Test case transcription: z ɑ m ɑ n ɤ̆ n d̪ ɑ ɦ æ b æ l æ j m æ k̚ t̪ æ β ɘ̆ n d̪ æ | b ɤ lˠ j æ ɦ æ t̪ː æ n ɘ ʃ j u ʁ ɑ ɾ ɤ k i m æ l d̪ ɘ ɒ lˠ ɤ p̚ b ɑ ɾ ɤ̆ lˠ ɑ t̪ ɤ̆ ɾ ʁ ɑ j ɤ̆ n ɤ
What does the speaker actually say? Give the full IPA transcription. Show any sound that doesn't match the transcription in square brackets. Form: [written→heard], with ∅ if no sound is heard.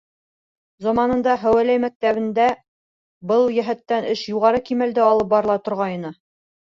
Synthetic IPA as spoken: z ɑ m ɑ n ɤ̆ n d̪ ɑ ɦ æ [b→w] æ l æ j m æ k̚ t̪ æ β ɘ̆ n d̪ æ | b ɤ lˠ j æ ɦ æ t̪ː æ n ɘ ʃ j u ʁ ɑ ɾ ɤ k i m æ l d̪ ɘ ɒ lˠ ɤ p̚ b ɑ ɾ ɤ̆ lˠ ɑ t̪ [ɤ̆→ŏ] ɾ ʁ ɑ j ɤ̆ n ɤ

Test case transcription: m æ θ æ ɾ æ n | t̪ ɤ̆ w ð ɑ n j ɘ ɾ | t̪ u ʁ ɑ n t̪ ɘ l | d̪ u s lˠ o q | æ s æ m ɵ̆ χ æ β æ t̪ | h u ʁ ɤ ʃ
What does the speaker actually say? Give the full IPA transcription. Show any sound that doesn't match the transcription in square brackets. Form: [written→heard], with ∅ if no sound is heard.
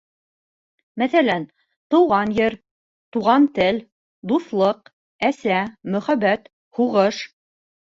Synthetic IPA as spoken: m æ θ æ [ɾ→l] æ n | t̪ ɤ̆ w [ð→ʁ] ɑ n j ɘ ɾ | t̪ u ʁ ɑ n t̪ ɘ l | d̪ u [s→θ] lˠ [o→ɤ] q | æ s æ m ɵ̆ χ æ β æ t̪ | h u ʁ ɤ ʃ

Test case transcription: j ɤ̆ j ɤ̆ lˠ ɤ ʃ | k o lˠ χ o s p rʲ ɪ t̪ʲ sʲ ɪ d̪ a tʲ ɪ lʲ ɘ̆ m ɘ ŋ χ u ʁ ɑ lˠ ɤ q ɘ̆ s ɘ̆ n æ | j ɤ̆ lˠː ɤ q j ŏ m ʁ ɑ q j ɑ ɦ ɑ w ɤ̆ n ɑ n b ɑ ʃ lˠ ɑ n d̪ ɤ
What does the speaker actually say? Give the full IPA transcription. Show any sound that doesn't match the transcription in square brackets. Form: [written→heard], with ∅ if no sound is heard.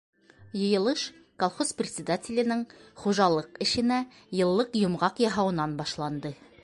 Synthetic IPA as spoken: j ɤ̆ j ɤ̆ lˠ ɤ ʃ | k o lˠ χ o s p rʲ ɪ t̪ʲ sʲ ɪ d̪ a tʲ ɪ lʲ ɘ̆ [m→n] ɘ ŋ χ u [ʁ→ʒ] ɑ lˠ ɤ q ɘ̆ [s→ʃ] ɘ̆ n æ | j ɤ̆ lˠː ɤ q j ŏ m ʁ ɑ q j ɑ ɦ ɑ w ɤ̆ n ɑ n b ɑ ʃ lˠ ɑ n d̪ ɤ

